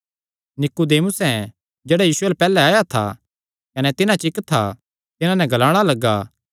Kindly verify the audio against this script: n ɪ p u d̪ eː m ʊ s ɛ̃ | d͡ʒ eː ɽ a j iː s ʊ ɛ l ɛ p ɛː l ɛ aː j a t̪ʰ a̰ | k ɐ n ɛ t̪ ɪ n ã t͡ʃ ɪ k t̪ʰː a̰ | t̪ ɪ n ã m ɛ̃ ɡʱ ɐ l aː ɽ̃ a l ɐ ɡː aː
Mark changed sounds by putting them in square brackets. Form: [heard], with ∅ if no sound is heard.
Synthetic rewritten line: n ɪ [k] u d̪ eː m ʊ s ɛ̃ | d͡ʒ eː ɽ a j iː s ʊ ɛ l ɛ p ɛː l ɛ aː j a t̪ʰ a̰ | k ɐ n ɛ t̪ ɪ n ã t͡ʃ ɪ k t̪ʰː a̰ | t̪ ɪ n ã [n] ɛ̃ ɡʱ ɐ l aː ɽ̃ a l ɐ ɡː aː

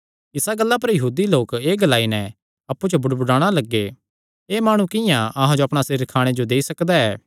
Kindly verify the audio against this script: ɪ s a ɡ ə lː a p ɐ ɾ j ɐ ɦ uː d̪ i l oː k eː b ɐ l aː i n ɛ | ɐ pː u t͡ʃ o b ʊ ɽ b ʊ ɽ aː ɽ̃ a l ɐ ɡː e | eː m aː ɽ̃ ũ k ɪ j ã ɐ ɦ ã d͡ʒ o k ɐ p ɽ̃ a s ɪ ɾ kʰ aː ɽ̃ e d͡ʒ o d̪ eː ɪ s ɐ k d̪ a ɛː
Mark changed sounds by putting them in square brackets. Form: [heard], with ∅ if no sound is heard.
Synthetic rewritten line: ɪ s a ɡ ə lː a p ɐ ɾ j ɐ ɦ uː d̪ i l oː k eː [ɡ] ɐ l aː i n ɛ | ɐ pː u t͡ʃ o b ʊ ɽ b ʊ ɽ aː ɽ̃ a l ɐ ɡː e | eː m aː ɽ̃ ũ k ɪ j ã ɐ ɦ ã d͡ʒ o [∅] ɐ p ɽ̃ a s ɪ ɾ kʰ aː ɽ̃ e d͡ʒ o d̪ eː [i] s ɐ k d̪ a ɛː

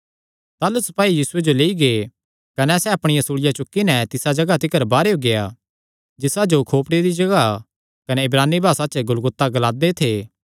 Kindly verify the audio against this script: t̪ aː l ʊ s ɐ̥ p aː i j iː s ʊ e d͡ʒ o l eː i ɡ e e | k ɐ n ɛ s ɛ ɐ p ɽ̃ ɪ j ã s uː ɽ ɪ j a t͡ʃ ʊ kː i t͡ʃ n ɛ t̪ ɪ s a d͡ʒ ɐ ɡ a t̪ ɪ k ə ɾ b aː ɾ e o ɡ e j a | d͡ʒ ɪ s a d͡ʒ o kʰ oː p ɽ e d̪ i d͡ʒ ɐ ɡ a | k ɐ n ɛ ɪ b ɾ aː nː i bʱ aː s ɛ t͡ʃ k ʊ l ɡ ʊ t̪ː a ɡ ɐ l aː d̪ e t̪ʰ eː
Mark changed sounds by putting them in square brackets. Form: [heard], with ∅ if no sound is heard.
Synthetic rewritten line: t̪ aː l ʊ s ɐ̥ p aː i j iː s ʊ e d͡ʒ o l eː i ɡ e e | k ɐ n ɛ s ɛ ɐ p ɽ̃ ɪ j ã s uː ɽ ɪ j a t͡ʃ ʊ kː i [∅] n ɛ t̪ ɪ s a d͡ʒ ɐ ɡ a t̪ ɪ k ə ɾ b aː ɾ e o ɡ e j a | d͡ʒ ɪ s a d͡ʒ o kʰ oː p ɽ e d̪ i d͡ʒ ɐ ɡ a | k ɐ n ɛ ɪ b ɾ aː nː i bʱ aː s [a] t͡ʃ [ɡ] ʊ l ɡ ʊ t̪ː a ɡ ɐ l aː d̪ e t̪ʰ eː

